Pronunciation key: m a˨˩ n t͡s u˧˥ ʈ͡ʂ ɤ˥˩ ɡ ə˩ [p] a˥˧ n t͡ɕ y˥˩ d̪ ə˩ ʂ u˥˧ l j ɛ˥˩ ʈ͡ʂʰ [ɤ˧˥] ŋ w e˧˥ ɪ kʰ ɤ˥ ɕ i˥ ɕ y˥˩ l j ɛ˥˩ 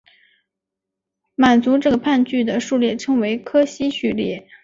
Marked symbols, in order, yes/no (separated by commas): no, no